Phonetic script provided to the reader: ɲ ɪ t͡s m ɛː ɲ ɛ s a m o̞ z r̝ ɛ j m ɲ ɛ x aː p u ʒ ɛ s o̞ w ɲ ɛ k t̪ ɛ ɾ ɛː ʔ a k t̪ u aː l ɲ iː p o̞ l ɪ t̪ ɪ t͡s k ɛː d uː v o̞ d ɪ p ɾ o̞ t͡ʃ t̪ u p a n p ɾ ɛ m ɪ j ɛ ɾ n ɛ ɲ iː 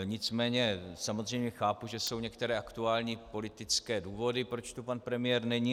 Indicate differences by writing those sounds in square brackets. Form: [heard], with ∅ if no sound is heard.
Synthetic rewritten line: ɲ ɪ t͡s m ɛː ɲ ɛ s a m o̞ z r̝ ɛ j m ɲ ɛ x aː p u ʒ ɛ s o̞ w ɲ ɛ k t̪ ɛ ɾ ɛː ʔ a k t̪ u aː l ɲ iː p o̞ l ɪ t̪ ɪ t͡s k ɛː d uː v o̞ d ɪ p ɾ o̞ t͡ʃ t̪ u p a n p ɾ ɛ m ɪ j ɛ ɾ n ɛ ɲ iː